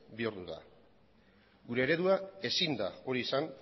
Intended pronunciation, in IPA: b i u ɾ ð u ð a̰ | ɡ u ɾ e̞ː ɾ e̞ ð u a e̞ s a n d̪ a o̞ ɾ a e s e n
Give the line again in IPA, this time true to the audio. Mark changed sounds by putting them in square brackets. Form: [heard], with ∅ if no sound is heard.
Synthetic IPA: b i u ɾ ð u ð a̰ | ɡ u ɾ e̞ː ɾ e̞ ð u a e̞ s [i] n d̪ a o̞ ɾ [i] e s [a] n